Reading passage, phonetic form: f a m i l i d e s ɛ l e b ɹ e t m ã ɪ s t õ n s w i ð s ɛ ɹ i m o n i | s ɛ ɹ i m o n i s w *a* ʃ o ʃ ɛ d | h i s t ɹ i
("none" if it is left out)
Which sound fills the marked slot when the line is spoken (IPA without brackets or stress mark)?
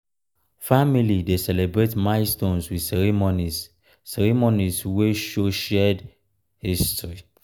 e